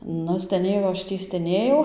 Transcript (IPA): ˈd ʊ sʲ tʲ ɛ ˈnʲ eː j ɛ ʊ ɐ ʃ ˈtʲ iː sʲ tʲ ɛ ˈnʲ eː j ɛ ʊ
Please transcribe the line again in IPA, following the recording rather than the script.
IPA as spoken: ˈn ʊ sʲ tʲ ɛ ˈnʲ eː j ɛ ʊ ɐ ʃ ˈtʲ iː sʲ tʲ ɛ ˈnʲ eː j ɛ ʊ

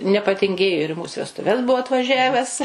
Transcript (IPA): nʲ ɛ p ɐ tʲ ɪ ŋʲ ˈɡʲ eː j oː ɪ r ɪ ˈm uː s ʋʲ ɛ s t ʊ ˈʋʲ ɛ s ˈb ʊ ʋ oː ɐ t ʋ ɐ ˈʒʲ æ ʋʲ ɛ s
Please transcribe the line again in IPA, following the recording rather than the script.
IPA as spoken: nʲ ɛ p ɐ tʲ ɪ ŋʲ ˈɡʲ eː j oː ɪ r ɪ ˈm uː s ʋʲ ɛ s t ʊ ˈʋʲ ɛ s ˈb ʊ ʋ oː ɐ t ʋ ɐ ˈʒʲ æ ʋʲ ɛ s

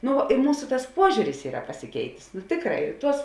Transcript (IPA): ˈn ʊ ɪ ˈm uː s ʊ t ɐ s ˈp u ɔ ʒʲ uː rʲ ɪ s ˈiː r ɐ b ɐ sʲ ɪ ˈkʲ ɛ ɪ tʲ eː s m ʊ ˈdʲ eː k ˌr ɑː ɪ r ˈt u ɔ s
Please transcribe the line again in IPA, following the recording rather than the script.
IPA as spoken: ˈn ʊ ɪ ˈm uː s ʊ t ɐ s ˈp u ɔ ʒʲ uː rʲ ɪ s ˈiː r ɐ p ɐ sʲ ɪ ˈkʲ ɛ ɪ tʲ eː s n ʊ ˈtʲ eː k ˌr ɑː ɪ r ˈt u ɔ s

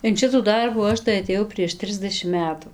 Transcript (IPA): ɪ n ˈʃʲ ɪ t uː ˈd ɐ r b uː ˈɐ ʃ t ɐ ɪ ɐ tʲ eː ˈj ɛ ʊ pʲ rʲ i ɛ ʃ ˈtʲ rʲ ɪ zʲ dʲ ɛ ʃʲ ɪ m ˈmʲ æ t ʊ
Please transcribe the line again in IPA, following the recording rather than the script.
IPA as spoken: ɪ n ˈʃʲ ɪ t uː ˈd ɐ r b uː ˈɐ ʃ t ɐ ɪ ɐ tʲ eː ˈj ɛ ʊ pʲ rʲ i ɛ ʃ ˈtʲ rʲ ɪ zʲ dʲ ɛ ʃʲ ɪ m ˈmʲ æː t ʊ

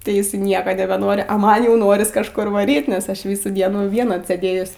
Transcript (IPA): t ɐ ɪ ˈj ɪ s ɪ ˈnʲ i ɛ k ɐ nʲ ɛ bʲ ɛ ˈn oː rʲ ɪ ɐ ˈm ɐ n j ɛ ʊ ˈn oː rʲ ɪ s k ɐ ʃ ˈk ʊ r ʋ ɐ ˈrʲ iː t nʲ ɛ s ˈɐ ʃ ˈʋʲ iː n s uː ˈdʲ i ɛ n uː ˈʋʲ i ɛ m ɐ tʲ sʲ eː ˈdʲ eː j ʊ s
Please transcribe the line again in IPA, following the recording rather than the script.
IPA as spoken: t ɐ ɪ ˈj ɪ s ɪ ˈnʲ i ɛ k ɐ nʲ ɛ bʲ ɛ ˈn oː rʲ ɪ ɐ ˈm ɐ n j ɛ ʊ ˈn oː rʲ ɪ s k ɐ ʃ ˈk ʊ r ʋ ɐ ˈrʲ iː t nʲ ɛ s ˈɐ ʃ ˈʋʲ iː s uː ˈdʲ i ɛ n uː ˈʋʲ i ɛ n ɐ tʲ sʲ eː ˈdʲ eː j ʊ s

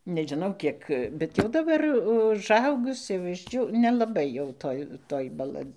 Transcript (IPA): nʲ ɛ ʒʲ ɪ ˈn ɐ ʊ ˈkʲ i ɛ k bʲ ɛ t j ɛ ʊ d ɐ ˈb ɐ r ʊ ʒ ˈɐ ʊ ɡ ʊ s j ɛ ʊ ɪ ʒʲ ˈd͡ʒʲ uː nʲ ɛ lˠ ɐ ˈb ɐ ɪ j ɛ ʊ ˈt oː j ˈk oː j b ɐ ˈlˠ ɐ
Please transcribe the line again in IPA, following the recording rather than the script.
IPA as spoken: nʲ ɛ ʒʲ ɪ ˈn ɐ ʊ ˈkʲ i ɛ k bʲ ɛ t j ɛ ʊ d ɐ ˈb ɐ r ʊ ʒ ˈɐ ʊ ɡ ʊ s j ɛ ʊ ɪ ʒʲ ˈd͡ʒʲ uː nʲ ɛ lˠ ɐ ˈb ɐ ɪ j ɛ ʊ ˈt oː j ˈt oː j b ɐ ˈlˠ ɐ

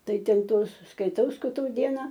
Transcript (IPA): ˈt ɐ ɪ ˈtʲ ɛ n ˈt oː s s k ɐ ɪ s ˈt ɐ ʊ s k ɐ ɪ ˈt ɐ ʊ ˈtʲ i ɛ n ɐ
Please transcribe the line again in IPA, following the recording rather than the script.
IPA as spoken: ˈt ɐ ɪ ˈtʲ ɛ n ˈt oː s s k ɐ ɪ ˈt ɐ ʊ s k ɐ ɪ ˈt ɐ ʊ ˈdʲ i ɛ n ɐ

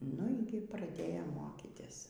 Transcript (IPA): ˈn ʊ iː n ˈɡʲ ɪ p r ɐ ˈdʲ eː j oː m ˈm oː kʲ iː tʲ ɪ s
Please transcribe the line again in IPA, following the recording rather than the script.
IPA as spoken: ˈn ʊ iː ˈɡʲ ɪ p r ɐ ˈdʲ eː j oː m ˈm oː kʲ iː tʲ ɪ s

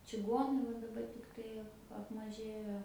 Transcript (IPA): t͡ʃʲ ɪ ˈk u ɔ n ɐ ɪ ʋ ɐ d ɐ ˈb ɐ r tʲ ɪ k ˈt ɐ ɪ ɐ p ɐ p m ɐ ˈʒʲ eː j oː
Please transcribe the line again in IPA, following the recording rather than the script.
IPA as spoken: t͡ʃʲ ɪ ˈɡ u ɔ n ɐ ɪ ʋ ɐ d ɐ ˈb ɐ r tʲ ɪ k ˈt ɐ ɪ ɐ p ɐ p m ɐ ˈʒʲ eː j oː

